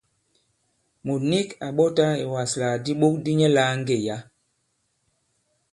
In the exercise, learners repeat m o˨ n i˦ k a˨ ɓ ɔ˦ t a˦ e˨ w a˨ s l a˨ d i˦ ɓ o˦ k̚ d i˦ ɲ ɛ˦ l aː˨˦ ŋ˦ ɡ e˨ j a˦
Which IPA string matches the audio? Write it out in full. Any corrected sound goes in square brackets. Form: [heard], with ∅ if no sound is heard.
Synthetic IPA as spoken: m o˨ n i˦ k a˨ ɓ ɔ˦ t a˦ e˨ w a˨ s l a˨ d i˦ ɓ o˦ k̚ d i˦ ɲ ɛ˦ l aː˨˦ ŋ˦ ɡ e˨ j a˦